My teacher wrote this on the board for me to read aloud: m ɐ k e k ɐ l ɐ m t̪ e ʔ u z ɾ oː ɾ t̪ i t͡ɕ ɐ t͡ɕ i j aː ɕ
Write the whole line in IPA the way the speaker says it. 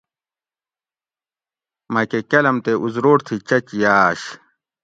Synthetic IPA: m ɐ k e k ɐ l ɐ m t̪ e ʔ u z ɾ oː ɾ t̪ʰ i t͡ɕ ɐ t͡ɕ i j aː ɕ

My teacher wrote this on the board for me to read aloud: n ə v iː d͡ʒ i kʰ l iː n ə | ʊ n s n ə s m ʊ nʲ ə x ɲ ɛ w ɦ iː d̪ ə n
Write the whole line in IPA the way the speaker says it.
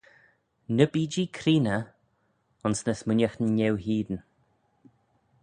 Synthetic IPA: n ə b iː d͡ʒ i kʰ ɾ iː n ə | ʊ n s n ə s m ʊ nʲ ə x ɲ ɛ w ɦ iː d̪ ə n

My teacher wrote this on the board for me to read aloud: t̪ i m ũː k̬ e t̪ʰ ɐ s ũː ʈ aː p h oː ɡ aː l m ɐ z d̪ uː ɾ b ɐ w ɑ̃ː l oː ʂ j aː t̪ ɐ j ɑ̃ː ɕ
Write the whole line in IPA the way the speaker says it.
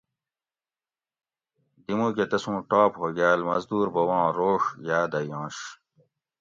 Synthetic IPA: d̪ i m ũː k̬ e t̪ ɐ s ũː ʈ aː p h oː ɡ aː l m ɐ z d̪ uː ɾ b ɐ w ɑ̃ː ɾ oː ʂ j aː d̪ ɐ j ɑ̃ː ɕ

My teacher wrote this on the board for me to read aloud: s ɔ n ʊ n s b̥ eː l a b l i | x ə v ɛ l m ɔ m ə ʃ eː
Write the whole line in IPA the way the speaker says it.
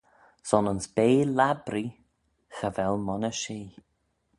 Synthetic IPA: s ɔ n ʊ n s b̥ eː l a b ɾ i | x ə v ɛ l m ɔ n ə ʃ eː

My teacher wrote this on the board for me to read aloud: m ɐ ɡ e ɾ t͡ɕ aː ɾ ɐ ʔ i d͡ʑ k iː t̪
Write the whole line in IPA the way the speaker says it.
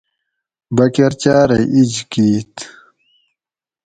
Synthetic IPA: b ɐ k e ɾ t͡ɕ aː ɾ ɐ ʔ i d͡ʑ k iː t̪

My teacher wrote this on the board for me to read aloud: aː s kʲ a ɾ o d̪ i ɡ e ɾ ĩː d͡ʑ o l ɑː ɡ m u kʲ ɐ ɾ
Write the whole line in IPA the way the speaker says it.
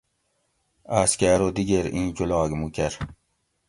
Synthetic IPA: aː s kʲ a ɾ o d̪ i ɡ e ɾ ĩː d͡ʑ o l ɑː ɡ m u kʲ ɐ ɾ

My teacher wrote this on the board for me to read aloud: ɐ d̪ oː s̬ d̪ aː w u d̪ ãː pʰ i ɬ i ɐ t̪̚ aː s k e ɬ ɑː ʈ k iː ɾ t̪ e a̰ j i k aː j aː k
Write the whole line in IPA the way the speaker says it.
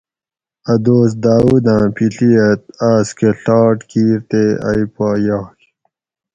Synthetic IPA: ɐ d̪ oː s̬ d̪ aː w u d̪ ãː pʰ i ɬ i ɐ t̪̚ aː s k e ɬ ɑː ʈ k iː ɾ t̪ e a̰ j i p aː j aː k

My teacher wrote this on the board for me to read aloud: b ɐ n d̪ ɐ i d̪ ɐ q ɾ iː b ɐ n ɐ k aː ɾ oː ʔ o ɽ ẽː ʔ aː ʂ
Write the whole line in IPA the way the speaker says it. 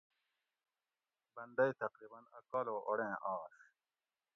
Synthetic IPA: b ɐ n d̪ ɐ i t̪ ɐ q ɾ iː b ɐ n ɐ k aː l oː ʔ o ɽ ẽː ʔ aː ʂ

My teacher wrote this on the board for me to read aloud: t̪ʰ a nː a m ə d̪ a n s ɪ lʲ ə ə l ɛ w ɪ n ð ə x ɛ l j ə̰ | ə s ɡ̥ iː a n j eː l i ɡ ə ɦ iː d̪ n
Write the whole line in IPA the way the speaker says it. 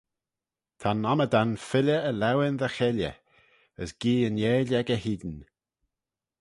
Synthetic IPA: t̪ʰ a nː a m ə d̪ a n f ɪ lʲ ə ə l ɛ w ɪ n ð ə x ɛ l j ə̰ | ə s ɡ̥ iː ə n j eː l ɛ ɡ ə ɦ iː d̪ n

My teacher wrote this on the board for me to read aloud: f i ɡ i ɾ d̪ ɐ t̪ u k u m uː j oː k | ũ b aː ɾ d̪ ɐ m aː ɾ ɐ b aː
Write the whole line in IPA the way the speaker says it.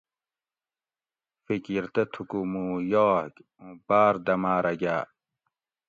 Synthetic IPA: f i k i ɾ t̪ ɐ t̪ʰ u k u m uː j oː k | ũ b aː ɾ d̪ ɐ m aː ɾ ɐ ɡ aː

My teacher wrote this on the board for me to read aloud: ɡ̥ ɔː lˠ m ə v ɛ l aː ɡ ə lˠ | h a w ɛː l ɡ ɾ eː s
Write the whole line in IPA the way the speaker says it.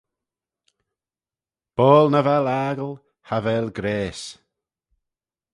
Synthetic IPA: b̥ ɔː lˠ n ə v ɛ l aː ɡ ə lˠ | h a v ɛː l ɡ ɾ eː s

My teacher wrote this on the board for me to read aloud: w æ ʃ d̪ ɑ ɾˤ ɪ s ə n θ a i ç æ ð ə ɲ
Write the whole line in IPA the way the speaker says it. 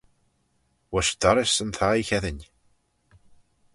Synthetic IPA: w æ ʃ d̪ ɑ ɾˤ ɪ s ə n θ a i ç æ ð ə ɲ

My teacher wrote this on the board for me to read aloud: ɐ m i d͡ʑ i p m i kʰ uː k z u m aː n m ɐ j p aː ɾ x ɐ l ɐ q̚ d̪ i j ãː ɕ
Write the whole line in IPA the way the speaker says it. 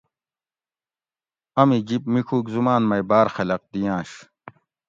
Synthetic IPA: ɐ m i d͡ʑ i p m i kʰ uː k z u m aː n m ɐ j b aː ɾ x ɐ l ɐ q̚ d̪ i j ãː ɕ

